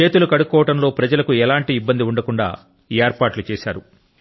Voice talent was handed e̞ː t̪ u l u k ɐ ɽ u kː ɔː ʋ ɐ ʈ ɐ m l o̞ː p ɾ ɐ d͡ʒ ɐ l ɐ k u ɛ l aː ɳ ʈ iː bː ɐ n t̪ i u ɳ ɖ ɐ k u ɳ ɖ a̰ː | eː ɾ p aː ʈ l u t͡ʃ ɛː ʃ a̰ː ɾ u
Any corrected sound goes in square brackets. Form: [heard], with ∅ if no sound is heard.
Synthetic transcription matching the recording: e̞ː t̪ u l u k ɐ ɽ u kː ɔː ʋ ɐ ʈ ɐ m l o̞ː p ɾ ɐ d͡ʒ ɐ l ɐ k u ɛ l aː ɳ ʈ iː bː ɐ n [d̪] i u ɳ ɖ ɐ k u ɳ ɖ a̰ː | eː ɾ p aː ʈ l u t͡ʃ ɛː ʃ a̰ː ɾ u

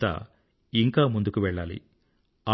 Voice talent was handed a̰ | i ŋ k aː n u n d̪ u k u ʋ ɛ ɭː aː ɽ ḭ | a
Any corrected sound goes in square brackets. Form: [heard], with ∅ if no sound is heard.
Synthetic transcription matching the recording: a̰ | i ŋ k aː [m] u n d̪ u k u ʋ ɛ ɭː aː [l] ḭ | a

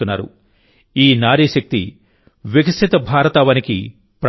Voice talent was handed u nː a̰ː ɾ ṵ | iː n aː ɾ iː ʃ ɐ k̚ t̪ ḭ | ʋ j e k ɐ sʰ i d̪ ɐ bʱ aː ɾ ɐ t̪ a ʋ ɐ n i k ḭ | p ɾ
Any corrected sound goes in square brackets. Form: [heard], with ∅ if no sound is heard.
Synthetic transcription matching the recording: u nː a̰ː ɾ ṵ | iː n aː ɾ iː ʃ ɐ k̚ t̪ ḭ | ʋ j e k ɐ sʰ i [t̪] ɐ bʱ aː ɾ ɐ t̪ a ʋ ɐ n i k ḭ | p ɾ

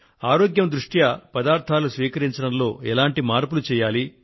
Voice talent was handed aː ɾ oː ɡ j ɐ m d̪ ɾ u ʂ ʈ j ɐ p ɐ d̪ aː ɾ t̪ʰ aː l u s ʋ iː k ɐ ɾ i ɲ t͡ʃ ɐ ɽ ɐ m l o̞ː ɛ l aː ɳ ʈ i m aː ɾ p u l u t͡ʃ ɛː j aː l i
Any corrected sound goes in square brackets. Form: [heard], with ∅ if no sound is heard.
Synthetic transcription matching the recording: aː ɾ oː ɡ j ɐ m d̪ ɾ u ʂ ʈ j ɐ p ɐ d̪ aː ɾ t̪ʰ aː l u s ʋ iː k ɐ ɾ i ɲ t͡ʃ ɐ ɽ ɐ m l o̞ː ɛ l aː ɳ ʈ i m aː ɾ p u l u t͡ʃ ɛː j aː l i

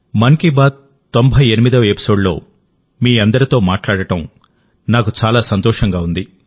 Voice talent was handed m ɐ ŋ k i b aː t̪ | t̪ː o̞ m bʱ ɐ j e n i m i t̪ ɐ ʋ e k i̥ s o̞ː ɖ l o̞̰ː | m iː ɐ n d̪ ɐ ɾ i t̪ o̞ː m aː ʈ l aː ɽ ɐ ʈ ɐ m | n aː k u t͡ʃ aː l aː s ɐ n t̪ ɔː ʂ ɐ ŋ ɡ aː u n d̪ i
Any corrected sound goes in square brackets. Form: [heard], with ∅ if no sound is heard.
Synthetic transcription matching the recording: m ɐ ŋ k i b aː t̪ | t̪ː o̞ m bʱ ɐ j e n i m i [d̪] ɐ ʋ e [p] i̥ s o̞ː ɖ l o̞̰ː | m iː ɐ n d̪ ɐ ɾ i t̪ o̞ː m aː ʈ l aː ɽ ɐ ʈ ɐ m | n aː k u t͡ʃ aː l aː s ɐ n t̪ ɔː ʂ ɐ ŋ ɡ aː u n d̪ i

